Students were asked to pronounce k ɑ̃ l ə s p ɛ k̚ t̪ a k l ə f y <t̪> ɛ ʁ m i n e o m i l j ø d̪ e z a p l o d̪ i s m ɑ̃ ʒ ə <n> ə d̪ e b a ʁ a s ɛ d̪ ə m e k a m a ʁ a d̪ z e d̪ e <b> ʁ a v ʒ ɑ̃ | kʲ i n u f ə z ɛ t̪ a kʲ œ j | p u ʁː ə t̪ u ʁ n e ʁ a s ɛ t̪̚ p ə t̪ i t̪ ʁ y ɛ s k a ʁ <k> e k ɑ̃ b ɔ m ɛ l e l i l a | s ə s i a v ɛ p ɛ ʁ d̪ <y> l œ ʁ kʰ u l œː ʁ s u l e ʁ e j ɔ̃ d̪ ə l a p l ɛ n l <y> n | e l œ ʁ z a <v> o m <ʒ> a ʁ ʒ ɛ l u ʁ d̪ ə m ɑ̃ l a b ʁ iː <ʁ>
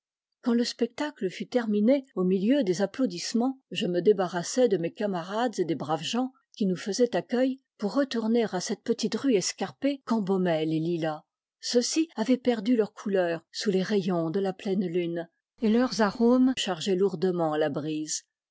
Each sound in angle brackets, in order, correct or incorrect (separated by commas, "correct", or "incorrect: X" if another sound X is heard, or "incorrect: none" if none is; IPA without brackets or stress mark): correct, incorrect: m, correct, incorrect: p, correct, correct, incorrect: ʁ, incorrect: ʃ, incorrect: z